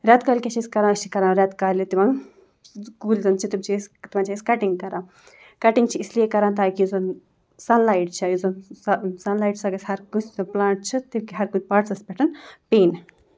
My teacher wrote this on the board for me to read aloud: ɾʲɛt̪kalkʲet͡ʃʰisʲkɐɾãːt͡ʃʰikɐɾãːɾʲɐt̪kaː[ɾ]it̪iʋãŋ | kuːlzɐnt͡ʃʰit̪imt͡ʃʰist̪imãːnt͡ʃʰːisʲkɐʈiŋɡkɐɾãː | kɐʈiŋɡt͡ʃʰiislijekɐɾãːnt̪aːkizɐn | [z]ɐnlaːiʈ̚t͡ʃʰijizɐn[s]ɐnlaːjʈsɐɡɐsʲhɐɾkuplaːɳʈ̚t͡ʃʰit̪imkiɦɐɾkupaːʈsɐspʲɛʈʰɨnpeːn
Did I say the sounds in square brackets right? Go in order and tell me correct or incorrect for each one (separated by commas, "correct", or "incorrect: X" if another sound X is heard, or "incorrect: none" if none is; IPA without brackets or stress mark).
incorrect: l, incorrect: s, correct